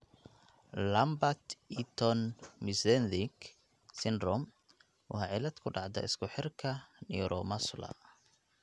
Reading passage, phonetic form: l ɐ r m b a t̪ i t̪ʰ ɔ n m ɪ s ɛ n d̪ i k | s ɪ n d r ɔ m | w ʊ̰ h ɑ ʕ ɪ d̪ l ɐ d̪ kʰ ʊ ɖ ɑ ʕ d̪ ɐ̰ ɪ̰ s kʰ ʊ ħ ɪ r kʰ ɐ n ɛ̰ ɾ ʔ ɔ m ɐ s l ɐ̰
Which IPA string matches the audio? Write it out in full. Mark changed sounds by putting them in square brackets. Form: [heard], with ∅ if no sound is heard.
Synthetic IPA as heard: l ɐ [∅] m b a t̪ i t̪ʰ ɔ n m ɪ s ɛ n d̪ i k | s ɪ n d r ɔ m | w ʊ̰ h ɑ ʕ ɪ [∅] l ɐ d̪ kʰ ʊ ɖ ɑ ʕ d̪ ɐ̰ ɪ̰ s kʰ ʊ ħ ɪ r kʰ ɐ n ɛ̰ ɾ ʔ ɔ m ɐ s l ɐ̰